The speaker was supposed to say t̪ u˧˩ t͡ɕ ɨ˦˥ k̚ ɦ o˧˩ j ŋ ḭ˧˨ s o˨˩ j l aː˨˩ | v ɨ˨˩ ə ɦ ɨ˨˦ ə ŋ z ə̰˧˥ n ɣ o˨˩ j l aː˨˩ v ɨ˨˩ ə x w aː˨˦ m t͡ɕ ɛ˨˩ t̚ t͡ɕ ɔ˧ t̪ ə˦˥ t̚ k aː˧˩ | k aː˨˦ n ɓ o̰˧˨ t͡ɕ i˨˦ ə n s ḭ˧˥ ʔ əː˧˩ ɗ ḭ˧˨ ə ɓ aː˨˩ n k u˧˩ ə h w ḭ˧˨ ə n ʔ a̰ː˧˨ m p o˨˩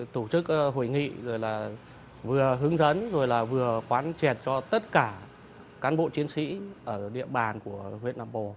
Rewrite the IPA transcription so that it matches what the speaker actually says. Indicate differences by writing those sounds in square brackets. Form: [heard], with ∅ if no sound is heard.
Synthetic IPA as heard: t̪ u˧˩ t͡ɕ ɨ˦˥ k̚ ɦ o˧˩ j ŋ ḭ˧˨ [z] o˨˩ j l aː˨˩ | v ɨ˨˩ ə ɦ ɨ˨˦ ə ŋ z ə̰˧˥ n [z] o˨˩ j l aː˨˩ v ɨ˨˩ ə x w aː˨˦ [n] t͡ɕ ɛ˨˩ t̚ t͡ɕ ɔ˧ t̪ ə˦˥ t̚ k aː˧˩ | k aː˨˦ n ɓ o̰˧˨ t͡ɕ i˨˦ ə n s ḭ˧˥ ʔ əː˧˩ ɗ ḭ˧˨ ə ɓ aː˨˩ n k u˧˩ ə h w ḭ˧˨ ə n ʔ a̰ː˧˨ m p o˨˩